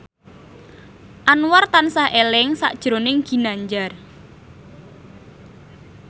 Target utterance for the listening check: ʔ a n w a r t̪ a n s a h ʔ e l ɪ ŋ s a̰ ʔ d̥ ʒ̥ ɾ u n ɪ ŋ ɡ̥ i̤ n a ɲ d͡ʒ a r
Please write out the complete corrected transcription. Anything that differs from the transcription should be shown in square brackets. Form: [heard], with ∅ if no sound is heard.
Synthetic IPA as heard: ʔ a n w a r t̪ a n s a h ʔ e l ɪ ŋ s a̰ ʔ d̥ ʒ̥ ɾ [o] n ɪ ŋ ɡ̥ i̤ n a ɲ d͡ʒ a r

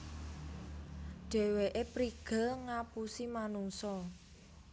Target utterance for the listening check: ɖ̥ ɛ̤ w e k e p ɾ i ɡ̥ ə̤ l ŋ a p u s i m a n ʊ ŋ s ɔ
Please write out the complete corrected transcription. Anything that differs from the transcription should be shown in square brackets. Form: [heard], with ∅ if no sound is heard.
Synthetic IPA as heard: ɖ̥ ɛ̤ w e [ʔ] e p ɾ i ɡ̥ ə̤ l ŋ a p u s i m a n [u] ŋ s ɔ

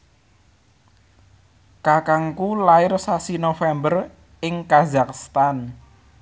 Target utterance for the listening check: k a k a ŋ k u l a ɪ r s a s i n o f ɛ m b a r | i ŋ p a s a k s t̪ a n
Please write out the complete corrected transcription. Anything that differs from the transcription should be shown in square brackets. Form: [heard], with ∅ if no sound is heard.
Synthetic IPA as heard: k a k a ŋ k u l a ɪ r s a s i n o f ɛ m b [ə] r | [ɪ] ŋ [k] a [z] a k s t̪ a n

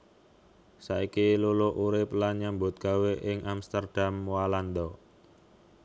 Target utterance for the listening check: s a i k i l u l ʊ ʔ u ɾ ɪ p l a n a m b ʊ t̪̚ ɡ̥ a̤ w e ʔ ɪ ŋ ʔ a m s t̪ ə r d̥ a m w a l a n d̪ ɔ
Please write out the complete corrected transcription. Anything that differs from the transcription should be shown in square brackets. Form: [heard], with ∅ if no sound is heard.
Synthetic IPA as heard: s a i k i l u l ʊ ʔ u ɾ ɪ p l a [ɲ] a m b ʊ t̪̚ ɡ̥ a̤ w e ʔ ɪ ŋ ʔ a m s t̪ ə r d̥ a m w a l a n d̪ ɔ

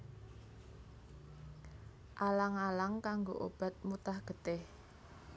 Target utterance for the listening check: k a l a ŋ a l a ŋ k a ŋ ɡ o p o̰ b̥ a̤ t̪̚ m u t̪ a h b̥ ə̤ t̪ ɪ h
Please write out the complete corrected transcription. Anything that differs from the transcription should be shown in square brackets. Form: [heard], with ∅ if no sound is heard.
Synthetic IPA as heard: [ʔ] a l a ŋ a l a ŋ k a ŋ ɡ o [ʔ] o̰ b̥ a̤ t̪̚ m u t̪ a h [ɡ̥] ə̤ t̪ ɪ h

